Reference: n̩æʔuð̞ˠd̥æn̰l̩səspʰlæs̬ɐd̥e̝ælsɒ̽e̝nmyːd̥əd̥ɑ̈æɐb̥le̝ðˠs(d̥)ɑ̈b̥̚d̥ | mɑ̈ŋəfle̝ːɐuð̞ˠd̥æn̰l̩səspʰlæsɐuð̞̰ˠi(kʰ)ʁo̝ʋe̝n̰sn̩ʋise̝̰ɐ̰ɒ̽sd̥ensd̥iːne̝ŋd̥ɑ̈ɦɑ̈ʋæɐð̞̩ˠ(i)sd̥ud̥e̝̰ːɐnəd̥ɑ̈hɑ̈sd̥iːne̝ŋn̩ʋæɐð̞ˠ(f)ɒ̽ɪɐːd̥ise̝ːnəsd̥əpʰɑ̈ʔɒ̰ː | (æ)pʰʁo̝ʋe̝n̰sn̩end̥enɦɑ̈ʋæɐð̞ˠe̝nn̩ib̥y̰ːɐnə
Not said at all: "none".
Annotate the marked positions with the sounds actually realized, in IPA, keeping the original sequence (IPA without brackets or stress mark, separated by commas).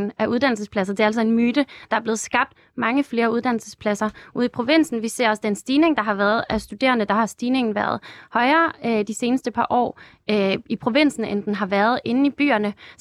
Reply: ɡ̥, pʰ, æ, h, i